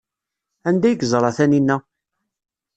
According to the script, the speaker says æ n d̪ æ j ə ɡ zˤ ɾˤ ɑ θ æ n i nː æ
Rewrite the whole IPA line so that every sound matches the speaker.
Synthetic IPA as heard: æ n d̪ æ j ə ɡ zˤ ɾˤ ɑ θ æ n i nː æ